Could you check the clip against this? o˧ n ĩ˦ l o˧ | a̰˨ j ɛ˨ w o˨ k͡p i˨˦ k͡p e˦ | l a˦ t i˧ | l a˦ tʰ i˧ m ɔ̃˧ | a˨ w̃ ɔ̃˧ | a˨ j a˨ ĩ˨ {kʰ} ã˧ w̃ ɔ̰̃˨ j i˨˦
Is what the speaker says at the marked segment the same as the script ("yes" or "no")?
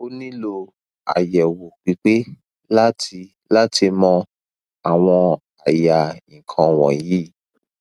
yes